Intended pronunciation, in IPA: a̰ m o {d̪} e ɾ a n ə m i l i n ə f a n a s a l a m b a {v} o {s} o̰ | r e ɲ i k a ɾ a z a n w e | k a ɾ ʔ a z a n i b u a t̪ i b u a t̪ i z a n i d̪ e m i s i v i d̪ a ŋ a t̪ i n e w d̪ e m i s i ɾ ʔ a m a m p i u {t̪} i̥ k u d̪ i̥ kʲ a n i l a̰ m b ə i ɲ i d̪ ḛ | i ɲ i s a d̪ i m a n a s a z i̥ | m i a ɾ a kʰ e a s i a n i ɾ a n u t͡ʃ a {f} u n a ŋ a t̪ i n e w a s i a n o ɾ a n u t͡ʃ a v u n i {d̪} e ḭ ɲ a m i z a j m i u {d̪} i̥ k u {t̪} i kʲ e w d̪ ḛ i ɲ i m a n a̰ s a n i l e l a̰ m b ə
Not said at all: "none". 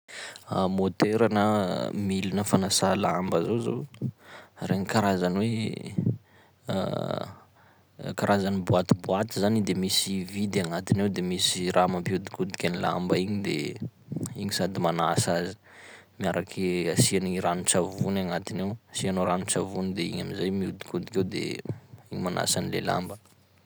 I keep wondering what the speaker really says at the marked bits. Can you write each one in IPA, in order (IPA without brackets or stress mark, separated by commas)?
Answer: t̪, z, z, d̪, v, d̪, d̪, d̪